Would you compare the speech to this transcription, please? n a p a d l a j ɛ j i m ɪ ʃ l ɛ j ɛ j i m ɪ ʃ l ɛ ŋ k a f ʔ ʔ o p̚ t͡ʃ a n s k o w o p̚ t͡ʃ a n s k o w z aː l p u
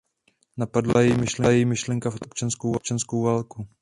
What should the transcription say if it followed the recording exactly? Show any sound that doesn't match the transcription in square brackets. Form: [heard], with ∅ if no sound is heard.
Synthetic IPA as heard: n a p a d l a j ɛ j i m ɪ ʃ l ɛ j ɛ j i m ɪ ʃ l ɛ ŋ k a f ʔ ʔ o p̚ t͡ʃ a n s k o w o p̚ t͡ʃ a n s k o w [v] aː l [k] u